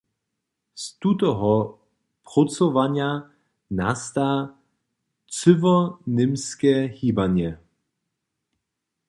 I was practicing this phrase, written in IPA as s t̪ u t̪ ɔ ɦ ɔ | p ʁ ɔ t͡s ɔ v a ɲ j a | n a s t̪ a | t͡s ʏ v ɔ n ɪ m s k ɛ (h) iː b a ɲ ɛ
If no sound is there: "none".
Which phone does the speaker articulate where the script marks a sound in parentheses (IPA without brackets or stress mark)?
h